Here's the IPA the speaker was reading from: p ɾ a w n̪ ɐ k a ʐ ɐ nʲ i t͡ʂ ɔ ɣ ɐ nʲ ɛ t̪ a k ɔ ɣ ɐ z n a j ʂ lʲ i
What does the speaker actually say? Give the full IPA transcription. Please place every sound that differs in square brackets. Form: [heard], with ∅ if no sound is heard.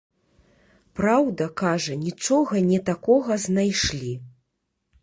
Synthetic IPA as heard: p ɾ a w [d̪] ɐ k a ʐ ɐ nʲ i t͡ʂ ɔ ɣ ɐ nʲ ɛ t̪ a k ɔ ɣ ɐ z n a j ʂ lʲ i